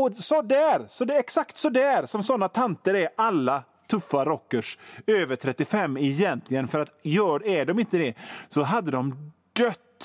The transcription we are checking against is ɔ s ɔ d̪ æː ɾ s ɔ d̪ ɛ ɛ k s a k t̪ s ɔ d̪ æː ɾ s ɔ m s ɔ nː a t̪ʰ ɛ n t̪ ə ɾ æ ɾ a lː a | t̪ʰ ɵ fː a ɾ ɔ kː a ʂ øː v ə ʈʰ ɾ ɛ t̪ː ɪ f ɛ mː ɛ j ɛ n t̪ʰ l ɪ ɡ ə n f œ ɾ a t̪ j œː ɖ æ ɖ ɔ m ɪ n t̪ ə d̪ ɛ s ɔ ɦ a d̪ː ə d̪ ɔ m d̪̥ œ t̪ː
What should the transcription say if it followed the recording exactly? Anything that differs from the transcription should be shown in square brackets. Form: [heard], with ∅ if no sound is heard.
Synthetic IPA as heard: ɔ s ɔ d̪ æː ɾ s ɔ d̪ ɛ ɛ k s a k t̪ s ɔ d̪ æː ɾ s ɔ m s ɔ nː a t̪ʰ [a] n t̪ ə ɾ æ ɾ a lː a | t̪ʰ ɵ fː a ɾ ɔ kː [ə] ʂ øː v ə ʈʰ ɾ ɛ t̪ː ɪ f ɛ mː ɛ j ɛ n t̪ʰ l ɪ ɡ ə n f œ ɾ a t̪ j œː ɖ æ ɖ ɔ m ɪ n t̪ ə d̪ ɛ s ɔ ɦ a d̪ː ə d̪ ɔ m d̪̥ œ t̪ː